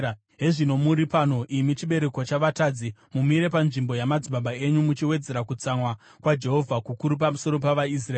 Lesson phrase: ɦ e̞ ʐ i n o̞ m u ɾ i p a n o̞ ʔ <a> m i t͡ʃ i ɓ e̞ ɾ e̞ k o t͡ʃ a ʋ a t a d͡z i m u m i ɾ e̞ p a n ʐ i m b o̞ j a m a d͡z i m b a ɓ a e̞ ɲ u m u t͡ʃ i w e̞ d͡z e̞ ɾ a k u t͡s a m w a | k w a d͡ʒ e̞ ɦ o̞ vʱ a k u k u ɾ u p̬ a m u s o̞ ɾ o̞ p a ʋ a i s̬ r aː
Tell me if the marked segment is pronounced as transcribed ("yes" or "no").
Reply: no